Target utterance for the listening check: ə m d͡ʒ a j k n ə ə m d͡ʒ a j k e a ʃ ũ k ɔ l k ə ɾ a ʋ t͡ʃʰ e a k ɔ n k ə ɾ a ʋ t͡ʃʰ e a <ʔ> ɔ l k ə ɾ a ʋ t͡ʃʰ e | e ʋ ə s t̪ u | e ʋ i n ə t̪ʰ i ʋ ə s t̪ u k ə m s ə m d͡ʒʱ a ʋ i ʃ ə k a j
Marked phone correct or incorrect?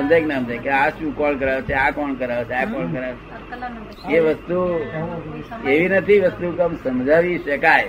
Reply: incorrect